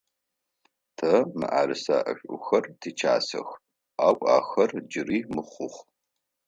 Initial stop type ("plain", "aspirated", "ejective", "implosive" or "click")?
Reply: aspirated